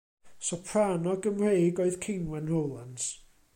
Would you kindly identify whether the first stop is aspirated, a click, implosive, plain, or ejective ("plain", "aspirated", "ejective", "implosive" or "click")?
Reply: aspirated